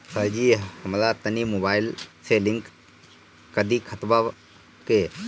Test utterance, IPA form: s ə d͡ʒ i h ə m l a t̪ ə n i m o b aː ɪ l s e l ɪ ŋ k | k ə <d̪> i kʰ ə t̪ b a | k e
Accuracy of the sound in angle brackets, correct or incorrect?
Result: correct